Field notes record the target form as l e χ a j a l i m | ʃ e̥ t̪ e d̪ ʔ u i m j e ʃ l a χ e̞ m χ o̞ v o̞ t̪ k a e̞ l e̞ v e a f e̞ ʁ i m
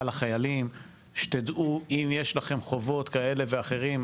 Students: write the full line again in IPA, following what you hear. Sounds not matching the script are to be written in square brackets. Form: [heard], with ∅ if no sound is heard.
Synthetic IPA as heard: l [a] χ a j a l i m | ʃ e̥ t̪ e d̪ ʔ u i m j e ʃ l a χ e̞ m χ o̞ v o̞ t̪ k a e̞ l e̞ v e a [χ] e̞ ʁ i m

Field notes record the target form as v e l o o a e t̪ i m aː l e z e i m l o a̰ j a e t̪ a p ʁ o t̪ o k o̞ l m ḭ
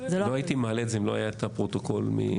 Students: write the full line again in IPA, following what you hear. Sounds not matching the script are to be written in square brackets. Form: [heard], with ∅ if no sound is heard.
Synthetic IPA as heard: [z] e l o o a [i] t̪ i m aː l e z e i m l o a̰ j a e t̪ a p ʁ o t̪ o k o̞ l m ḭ

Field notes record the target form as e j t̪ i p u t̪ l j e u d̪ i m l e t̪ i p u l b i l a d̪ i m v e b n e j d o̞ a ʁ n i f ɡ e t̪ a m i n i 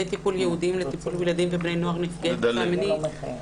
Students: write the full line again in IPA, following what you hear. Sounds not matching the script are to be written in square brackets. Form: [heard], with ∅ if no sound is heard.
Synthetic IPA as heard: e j t̪ i p u [∅] l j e u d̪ i m l e t̪ i p u l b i l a d̪ i m v e b n e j [n] o̞ a ʁ n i f ɡ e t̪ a m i n i

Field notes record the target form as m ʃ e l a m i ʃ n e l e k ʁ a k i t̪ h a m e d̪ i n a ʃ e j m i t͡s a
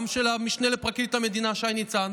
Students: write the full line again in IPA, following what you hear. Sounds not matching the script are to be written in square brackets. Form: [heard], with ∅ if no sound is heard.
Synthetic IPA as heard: m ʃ e l a m i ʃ n e l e [p] ʁ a k i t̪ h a m e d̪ i n a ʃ [a] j [n] i t͡s a

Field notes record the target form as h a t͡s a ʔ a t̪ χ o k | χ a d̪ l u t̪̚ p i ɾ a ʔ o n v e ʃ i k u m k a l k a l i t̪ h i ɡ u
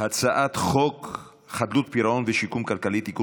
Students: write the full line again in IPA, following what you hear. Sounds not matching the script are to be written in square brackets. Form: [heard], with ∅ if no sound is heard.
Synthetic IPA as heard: h a t͡s a ʔ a t̪ χ o k | χ a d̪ l u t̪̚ p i ɾ a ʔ o n v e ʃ i k u m k a l k a l i t̪ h i [k] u

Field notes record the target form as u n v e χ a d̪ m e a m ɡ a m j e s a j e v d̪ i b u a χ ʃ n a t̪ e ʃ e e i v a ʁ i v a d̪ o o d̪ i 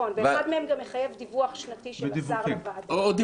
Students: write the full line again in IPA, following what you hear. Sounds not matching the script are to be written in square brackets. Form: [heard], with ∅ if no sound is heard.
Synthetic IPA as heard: [o] n v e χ a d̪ m e [e] m ɡ a m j e [χ] a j e v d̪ i [v] u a χ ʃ n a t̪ [i] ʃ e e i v a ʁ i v a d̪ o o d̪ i

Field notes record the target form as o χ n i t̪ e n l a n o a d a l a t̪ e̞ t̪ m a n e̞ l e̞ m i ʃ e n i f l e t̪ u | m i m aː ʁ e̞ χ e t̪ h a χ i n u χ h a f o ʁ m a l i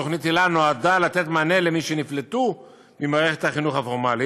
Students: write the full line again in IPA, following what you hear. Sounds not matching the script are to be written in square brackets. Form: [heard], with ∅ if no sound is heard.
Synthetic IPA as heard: o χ n i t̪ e [∅] l a n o a d a l a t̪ e̞ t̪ m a n e̞ l e̞ m i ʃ e n i f l e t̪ u | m i m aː ʁ e̞ χ e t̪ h a χ i n u χ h a f o ʁ m a l i

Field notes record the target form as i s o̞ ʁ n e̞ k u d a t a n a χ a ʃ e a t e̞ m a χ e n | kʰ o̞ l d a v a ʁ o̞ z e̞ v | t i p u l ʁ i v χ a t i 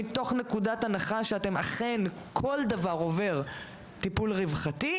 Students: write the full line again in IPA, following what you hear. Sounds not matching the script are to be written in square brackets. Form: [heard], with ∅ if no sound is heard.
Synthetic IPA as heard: i [t] o̞ [χ] n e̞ k u d a t a n a χ a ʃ e a t e̞ m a χ e n | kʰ o̞ l d a v a ʁ o̞ [v] e̞ [ʁ] | t i p u l ʁ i v χ a t i

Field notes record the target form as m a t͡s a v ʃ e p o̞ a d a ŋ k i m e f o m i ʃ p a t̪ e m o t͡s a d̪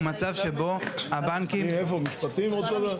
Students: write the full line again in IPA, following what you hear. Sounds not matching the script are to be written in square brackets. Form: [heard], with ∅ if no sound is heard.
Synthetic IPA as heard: m a t͡s a v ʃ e [b] o̞ a [b] a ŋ k i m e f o m i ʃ p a t̪ [i] m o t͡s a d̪

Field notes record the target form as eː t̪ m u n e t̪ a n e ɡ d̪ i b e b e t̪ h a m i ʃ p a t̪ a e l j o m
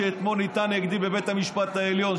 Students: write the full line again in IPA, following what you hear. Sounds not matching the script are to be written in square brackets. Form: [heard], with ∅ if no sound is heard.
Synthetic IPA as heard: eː t̪ m [o] n [i] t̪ a n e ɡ d̪ i b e b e t̪ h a m i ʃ p a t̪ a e l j o [n]

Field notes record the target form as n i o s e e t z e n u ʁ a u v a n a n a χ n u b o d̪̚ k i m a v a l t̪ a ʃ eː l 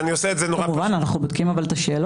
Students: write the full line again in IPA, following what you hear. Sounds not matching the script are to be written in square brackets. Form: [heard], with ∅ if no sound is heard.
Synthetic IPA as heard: n i o s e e t z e n [o] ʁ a u v a n a n a χ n u b o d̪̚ k i m a v a l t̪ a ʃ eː l

